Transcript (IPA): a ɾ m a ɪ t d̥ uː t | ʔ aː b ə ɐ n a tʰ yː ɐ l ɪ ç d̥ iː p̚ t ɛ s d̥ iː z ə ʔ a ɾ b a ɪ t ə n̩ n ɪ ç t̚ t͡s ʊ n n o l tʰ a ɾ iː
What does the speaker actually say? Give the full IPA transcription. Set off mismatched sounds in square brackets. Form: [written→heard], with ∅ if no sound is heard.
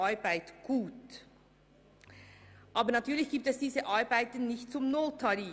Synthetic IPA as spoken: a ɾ [m→b] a ɪ t [d̥→ɡ̥] uː t | ʔ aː b ə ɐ n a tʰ yː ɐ l ɪ ç [d̥→ɡ̥] iː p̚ t ɛ s d̥ iː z ə ʔ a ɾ b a ɪ t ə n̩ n ɪ ç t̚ t͡s ʊ [n→m] n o l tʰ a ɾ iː

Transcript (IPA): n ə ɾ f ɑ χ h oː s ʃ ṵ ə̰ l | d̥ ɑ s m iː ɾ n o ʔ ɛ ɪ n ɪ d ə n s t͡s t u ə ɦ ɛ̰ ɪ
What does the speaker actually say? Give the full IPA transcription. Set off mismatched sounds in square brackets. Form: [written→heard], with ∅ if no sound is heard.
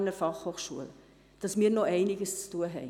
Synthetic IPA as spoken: n ə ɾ f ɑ χ h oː [s→χ] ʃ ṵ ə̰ l | d̥ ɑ s m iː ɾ n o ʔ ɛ ɪ n ɪ [d→ɡ] ə [n→∅] s t͡s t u ə ɦ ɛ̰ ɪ

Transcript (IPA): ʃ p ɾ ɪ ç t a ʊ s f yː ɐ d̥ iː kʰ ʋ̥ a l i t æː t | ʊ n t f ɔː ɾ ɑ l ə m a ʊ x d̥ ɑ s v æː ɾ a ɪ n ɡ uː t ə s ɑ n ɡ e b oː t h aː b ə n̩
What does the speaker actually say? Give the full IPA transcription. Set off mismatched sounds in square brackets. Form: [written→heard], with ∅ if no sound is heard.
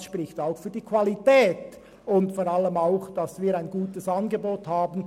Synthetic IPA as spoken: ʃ p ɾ ɪ ç t a ʊ [s→x] f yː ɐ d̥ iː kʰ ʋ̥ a l i t [æː→ɛː] t | ʊ n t f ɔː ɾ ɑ l ə m a ʊ x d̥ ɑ s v [æː→iː] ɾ a ɪ n ɡ uː t ə s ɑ n ɡ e b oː t h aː b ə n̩

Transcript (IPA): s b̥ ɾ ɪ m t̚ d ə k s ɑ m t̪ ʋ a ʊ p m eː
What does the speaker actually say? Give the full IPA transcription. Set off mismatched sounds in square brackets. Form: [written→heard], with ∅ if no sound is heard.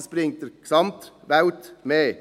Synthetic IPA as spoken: s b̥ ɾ ɪ [m→ŋ] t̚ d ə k s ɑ m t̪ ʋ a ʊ [p→t] m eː

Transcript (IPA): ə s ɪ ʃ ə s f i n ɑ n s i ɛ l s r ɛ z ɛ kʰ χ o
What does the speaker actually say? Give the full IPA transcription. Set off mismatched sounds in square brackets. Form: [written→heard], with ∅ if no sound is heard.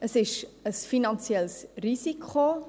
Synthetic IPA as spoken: ə s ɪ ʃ ə s f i n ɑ n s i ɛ l s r [ɛ→i] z [ɛ→i] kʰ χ o

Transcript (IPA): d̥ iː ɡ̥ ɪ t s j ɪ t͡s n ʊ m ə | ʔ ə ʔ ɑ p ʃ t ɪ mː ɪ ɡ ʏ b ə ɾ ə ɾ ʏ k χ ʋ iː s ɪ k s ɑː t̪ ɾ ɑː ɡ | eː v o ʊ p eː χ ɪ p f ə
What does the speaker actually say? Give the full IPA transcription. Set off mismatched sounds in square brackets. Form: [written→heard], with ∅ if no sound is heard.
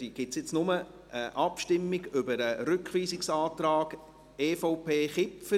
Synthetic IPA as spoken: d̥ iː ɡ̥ ɪ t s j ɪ t͡s n ʊ m ə | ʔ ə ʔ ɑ p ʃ t ɪ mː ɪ ɡ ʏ b ə ɾ ə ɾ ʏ k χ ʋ iː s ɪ k s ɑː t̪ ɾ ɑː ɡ | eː [v→f] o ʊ p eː χ ɪ p f ə

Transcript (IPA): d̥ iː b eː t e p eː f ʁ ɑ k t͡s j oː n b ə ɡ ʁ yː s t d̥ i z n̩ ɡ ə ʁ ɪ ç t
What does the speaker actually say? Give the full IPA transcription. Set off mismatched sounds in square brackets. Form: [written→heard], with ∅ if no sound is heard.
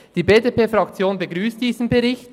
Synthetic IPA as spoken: d̥ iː b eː [t→d] e p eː f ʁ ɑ k t͡s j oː n b ə ɡ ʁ yː s t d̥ [i→iː] z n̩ [ɡ→b] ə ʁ ɪ ç t

